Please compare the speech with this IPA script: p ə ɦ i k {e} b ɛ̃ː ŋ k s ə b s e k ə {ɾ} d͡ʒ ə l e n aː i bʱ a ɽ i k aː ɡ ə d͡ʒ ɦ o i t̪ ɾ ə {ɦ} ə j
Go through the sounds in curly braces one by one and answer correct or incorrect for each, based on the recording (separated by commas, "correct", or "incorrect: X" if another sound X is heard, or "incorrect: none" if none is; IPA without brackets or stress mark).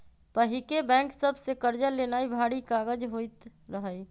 correct, correct, correct